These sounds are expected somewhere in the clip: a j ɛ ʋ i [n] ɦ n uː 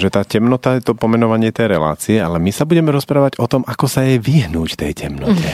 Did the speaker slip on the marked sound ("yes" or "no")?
yes